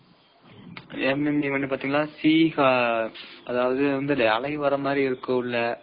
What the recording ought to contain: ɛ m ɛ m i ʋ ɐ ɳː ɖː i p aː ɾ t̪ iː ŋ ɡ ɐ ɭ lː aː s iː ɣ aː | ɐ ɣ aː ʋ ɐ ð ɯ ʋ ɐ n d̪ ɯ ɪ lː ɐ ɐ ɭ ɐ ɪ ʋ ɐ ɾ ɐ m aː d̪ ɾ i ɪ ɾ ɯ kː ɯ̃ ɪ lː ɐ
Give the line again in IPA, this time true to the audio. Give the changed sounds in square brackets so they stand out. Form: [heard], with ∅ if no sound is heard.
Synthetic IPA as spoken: ɛ m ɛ m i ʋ ɐ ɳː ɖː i p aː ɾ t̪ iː ŋ ɡ ɐ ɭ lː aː s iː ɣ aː | ɐ [ð] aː ʋ ɐ ð ɯ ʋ ɐ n d̪ ɯ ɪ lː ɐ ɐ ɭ ɐ ɪ ʋ ɐ ɾ ɐ m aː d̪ ɾ i ɪ ɾ ɯ kː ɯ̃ ɪ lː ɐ